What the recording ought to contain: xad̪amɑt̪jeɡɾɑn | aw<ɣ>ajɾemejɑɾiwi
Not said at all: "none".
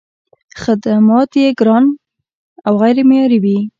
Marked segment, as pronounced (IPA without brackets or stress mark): ɣ